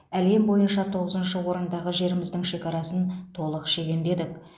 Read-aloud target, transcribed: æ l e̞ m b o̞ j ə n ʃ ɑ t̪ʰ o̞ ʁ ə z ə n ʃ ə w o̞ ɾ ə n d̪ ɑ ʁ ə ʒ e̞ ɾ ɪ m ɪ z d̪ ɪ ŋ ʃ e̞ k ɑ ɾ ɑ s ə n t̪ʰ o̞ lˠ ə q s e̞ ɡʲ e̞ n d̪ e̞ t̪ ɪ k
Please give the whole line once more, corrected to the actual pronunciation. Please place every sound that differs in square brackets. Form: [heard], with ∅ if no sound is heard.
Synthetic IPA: æ l e̞ m b o̞ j ə n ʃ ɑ t̪ʰ o̞ ʁ ə z ə n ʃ ə w o̞ ɾ ə n d̪ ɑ ʁ ə ʒ e̞ ɾ ɪ m ɪ z d̪ ɪ ŋ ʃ e̞ k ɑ ɾ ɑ s ə n t̪ʰ o̞ lˠ ə q [ʃ] e̞ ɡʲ e̞ n d̪ e̞ [d̪] ɪ k

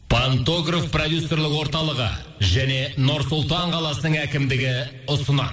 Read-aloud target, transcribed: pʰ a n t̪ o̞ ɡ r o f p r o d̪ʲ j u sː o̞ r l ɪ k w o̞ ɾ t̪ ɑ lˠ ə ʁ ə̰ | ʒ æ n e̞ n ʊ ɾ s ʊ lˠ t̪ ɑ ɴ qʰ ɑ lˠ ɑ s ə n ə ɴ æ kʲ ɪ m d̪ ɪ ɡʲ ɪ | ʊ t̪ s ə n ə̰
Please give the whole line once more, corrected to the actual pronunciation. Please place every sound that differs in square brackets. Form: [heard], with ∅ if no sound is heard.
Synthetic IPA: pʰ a n t̪ o̞ ɡ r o f p r o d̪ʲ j u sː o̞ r l ɪ k w o̞ ɾ t̪ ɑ lˠ ə ʁ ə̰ | ʒ æ n e̞ n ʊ ɾ s ʊ lˠ t̪ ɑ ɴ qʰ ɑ lˠ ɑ s ə n ə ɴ æ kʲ ɪ m d̪ ɪ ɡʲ ɪ | ʊ [∅] s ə n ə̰

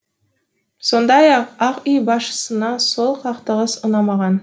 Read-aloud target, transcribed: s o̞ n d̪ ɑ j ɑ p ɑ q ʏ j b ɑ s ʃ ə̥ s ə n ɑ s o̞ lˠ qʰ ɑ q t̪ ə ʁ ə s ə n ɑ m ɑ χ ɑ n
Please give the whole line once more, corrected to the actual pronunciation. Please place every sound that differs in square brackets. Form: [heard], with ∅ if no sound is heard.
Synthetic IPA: s o̞ n d̪ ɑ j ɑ [q] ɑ q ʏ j b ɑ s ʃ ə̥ s ə n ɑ s o̞ lˠ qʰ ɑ q t̪ ə ʁ ə s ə n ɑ m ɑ [ʁ] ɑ n

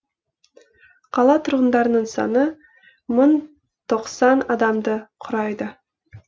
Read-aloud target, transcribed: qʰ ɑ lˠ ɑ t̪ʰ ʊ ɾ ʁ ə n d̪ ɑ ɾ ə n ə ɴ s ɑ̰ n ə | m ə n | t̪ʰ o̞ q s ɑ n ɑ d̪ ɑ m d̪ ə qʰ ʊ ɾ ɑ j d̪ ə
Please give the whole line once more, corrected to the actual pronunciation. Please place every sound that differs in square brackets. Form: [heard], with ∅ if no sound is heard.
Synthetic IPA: qʰ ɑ lˠ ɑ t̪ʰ ʊ ɾ ʁ ə n d̪ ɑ ɾ ə n ə ɴ s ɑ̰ n ə | m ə n | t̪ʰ o̞ q s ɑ n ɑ d̪ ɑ m d̪ ə qʰ ʊ ɾ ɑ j d̪ ə

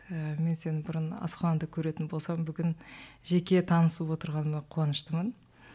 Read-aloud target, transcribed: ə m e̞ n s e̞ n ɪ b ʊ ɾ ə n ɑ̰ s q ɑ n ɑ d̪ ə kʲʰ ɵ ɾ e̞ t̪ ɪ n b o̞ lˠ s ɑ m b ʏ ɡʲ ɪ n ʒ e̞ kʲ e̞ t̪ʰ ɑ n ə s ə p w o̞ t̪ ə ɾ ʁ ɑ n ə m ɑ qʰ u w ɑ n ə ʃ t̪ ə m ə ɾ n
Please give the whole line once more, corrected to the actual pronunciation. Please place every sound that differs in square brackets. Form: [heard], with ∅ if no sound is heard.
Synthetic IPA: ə m e̞ n s e̞ n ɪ b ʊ ɾ ə n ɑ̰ s q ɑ n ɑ d̪ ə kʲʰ ɵ ɾ e̞ t̪ ɪ n b o̞ lˠ s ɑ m b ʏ ɡʲ ɪ n ʒ e̞ kʲ e̞ t̪ʰ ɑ n ə s ə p w o̞ t̪ ə ɾ ʁ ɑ n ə m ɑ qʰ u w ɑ n ə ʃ t̪ ə m ə [∅] n

